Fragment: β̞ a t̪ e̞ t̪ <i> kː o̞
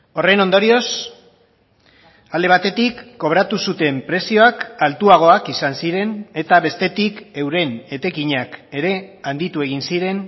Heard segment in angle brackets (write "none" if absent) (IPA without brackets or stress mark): i